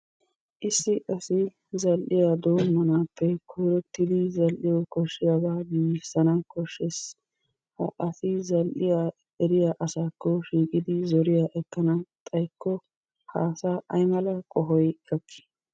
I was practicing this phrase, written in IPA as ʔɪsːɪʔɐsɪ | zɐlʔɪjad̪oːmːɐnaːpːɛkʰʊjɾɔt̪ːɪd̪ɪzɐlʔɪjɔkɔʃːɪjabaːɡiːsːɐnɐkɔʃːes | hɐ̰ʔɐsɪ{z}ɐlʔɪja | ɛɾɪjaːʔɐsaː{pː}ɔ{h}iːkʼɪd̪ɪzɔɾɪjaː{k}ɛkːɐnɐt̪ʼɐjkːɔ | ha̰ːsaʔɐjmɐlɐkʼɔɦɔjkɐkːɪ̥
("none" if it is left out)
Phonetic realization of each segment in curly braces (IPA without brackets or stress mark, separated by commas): z, kː, ʃ, ʔ